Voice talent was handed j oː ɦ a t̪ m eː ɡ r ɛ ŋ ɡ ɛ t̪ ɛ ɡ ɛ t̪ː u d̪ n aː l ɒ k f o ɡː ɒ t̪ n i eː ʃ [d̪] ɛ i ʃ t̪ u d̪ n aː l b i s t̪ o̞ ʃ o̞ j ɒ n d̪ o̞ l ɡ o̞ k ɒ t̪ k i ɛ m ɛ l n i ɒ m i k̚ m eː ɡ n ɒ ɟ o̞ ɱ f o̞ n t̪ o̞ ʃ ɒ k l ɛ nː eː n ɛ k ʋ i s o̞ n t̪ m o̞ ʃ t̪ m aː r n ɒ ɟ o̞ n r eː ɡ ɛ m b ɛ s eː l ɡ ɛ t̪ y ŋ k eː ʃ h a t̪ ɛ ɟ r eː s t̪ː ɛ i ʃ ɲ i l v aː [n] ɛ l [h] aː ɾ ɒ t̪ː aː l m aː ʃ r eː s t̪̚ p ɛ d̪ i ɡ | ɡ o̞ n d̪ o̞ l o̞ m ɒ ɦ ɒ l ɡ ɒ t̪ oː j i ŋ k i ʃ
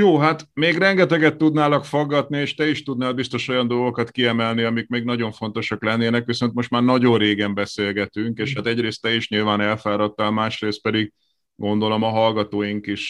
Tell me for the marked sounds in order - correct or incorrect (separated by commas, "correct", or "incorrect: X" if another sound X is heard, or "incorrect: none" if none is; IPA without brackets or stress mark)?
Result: incorrect: t̪, correct, incorrect: f